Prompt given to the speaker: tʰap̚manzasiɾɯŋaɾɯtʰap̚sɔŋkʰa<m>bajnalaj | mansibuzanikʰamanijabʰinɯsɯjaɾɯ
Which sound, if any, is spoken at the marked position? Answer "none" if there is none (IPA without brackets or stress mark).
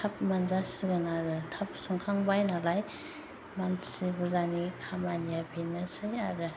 ŋ